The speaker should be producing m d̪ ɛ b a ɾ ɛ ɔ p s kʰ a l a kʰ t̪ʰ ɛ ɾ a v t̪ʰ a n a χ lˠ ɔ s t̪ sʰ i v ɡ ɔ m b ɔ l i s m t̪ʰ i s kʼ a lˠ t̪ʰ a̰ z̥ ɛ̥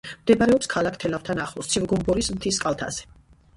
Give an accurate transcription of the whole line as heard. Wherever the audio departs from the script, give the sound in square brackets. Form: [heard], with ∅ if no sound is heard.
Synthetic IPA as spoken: m d̪ ɛ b a ɾ ɛ ɔ p s kʰ a l a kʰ t̪ʰ ɛ [l] a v t̪ʰ a n a χ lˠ ɔ s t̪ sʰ i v ɡ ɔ m b ɔ [ɾ] i s m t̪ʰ i s kʼ a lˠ t̪ʰ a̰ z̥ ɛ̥